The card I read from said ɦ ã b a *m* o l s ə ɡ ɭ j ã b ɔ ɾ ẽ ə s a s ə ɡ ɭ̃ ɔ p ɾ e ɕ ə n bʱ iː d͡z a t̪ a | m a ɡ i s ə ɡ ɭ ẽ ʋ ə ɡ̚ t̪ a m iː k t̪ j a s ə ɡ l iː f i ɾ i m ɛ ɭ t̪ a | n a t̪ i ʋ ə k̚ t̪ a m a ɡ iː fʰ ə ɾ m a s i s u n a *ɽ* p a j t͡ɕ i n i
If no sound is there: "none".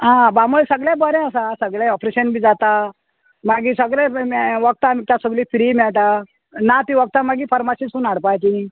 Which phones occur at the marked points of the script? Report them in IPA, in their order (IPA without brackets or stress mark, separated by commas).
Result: m, ɽ